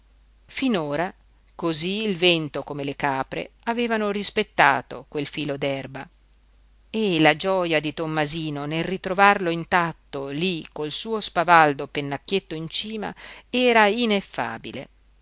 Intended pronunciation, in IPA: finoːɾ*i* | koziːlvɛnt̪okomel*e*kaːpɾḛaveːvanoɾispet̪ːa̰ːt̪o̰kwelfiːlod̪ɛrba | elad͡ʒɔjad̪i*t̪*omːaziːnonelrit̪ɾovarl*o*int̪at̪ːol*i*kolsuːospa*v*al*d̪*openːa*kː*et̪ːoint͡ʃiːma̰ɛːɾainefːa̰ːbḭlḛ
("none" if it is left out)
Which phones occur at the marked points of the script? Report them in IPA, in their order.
a, e, t̪, o, i, v, d̪, kː

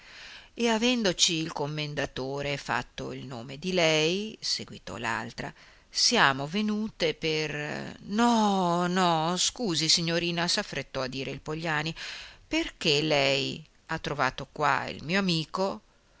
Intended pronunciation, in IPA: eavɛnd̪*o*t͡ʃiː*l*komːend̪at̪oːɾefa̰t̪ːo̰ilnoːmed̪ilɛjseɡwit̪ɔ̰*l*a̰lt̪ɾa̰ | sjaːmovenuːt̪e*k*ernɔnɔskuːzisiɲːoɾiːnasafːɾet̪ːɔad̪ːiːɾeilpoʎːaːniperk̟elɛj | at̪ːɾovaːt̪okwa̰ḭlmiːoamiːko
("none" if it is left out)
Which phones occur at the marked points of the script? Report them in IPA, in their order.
o, l, l, p

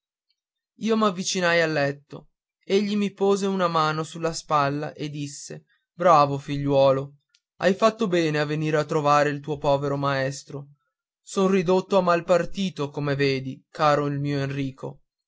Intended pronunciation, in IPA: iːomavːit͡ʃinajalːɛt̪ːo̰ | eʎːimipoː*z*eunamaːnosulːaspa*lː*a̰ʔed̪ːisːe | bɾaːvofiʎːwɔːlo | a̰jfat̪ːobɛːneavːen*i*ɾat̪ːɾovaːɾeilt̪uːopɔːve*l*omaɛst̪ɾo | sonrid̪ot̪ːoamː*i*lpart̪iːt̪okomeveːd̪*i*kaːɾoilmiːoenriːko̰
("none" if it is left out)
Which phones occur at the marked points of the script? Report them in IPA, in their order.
z, lː, iː, ɾ, a, i

